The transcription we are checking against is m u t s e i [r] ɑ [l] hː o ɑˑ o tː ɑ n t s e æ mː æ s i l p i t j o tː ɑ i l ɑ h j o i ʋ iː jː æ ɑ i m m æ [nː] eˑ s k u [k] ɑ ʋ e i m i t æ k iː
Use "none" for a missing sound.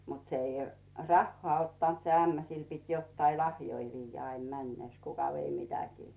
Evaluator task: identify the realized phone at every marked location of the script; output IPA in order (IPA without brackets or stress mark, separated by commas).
r, none, nː, k